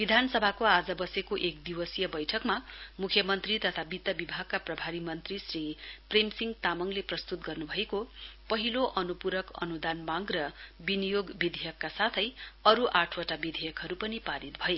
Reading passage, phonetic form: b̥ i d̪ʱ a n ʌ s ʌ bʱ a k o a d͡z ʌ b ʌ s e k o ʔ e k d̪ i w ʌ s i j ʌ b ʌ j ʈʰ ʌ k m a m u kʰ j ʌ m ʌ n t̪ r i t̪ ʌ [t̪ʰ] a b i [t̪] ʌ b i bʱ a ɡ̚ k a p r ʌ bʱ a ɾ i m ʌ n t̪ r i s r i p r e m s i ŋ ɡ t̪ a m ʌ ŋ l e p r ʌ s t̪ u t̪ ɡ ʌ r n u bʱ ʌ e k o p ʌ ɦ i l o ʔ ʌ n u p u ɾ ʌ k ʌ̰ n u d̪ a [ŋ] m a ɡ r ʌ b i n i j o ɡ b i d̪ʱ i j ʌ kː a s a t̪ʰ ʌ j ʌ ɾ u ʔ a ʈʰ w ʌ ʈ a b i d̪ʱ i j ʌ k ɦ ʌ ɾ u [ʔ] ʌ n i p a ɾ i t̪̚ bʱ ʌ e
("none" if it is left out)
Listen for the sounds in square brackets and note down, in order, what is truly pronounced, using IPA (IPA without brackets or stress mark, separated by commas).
t̪ʰ, t̪, n, p